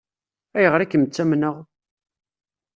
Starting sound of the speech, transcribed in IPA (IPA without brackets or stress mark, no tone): æ